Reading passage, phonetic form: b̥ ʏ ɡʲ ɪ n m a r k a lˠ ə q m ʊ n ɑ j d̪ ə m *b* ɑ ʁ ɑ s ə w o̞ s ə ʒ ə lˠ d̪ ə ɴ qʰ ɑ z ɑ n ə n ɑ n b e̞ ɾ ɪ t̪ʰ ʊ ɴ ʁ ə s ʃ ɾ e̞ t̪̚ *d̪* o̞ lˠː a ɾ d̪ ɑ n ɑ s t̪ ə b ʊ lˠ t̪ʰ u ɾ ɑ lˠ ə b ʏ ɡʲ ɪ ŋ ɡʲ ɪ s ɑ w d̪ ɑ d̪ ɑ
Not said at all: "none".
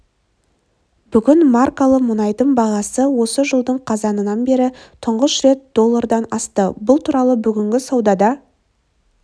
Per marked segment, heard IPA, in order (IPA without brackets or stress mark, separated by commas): b, d̪